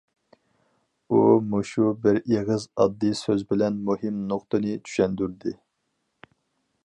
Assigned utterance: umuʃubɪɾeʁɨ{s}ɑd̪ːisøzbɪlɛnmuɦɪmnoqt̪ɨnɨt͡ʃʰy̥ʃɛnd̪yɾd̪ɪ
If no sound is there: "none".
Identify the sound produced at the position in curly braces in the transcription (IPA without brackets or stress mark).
z